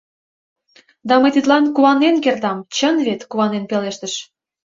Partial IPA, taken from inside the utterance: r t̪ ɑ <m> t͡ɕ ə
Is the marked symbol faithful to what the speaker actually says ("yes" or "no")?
yes